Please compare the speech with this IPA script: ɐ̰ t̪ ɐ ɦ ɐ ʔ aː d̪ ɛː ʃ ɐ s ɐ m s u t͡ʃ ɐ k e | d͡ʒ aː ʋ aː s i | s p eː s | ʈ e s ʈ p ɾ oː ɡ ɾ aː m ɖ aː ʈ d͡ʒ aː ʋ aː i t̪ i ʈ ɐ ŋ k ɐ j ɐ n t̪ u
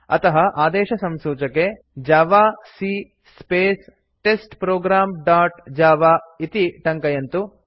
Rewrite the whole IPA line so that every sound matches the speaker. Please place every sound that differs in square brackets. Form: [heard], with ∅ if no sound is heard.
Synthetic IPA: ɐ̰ t̪ ɐ ɦ ɐ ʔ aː d̪ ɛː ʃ ɐ s ɐ m s [uː] t͡ʃ ɐ k e | d͡ʒ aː ʋ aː s i | s p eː s | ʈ e s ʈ p ɾ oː ɡ ɾ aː m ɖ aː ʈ d͡ʒ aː ʋ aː i t̪ i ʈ ɐ ŋ k ɐ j ɐ n t̪ u